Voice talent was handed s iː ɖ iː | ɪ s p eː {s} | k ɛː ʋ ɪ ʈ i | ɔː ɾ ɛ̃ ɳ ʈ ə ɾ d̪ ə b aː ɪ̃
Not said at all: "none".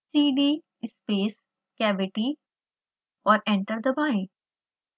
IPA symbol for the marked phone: s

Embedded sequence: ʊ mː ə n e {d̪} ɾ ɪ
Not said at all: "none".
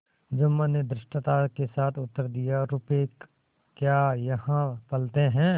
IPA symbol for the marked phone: d̪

